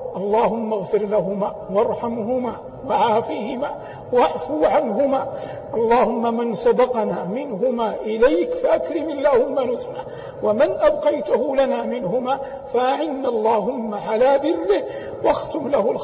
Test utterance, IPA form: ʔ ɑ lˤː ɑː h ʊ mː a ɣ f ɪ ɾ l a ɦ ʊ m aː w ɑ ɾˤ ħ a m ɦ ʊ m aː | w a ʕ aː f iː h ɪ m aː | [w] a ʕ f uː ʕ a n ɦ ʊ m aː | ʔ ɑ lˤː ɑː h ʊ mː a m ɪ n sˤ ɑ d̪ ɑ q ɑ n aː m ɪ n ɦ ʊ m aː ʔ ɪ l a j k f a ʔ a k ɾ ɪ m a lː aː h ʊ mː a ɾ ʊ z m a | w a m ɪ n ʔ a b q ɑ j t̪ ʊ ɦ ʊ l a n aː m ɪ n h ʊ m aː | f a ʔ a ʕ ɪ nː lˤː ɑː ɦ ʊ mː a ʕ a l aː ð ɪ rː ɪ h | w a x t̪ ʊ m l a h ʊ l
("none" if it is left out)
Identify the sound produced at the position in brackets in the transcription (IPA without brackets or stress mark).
w